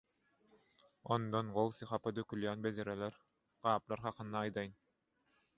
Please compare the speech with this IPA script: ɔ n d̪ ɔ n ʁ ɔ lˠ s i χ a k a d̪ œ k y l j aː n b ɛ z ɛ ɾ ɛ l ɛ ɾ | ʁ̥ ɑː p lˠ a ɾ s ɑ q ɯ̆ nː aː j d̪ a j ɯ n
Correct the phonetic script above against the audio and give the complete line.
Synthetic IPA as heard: ɔ n d̪ ɔ n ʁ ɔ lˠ s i χ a p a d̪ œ k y l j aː n b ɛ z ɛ ɾ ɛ l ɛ ɾ | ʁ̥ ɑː p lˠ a ɾ χ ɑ q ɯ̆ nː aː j d̪ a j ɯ n